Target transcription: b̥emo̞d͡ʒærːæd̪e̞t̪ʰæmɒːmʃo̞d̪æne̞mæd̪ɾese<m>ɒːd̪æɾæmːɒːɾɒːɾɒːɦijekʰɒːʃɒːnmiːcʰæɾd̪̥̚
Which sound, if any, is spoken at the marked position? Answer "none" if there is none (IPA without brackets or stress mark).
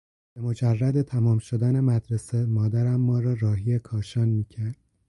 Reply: m